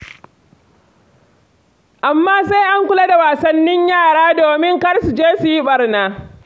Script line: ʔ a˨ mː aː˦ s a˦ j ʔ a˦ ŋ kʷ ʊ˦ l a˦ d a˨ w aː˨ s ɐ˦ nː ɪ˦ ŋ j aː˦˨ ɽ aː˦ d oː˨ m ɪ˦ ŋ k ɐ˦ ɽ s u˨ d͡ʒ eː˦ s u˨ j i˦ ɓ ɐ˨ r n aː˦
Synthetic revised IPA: ʔ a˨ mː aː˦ s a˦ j ʔ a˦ ŋ kʷ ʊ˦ l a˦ d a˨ w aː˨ s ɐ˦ nː ɪ˦ ɲ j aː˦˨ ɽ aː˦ d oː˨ m ɪ˦ ŋ k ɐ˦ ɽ s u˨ d͡ʒ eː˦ s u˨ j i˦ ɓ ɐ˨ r n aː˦